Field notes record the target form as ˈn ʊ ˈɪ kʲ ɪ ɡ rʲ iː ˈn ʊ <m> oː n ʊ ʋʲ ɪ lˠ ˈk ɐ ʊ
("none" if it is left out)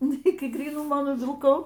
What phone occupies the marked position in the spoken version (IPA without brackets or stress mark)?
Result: m